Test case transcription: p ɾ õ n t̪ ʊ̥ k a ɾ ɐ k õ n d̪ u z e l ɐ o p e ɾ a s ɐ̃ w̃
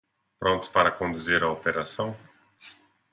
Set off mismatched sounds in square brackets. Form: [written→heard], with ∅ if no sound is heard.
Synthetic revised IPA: p ɾ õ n t̪ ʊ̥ [k→p] a ɾ ɐ k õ n d̪ u z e [l→ɾ] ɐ o p e ɾ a s ɐ̃ w̃